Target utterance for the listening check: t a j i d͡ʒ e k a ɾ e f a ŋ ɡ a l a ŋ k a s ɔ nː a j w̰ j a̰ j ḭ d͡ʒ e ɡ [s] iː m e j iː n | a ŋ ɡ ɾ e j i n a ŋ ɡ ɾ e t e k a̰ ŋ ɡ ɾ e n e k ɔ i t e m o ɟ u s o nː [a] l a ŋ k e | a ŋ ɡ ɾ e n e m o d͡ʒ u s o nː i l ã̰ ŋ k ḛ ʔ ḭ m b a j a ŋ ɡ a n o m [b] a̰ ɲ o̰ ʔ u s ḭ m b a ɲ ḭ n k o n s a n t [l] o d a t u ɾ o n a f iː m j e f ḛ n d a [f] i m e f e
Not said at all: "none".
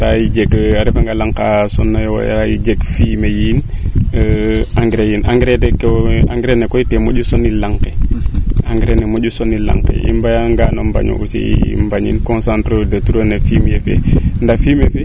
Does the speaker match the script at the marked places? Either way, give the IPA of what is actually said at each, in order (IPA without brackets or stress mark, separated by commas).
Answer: f, i, b, ɾ, f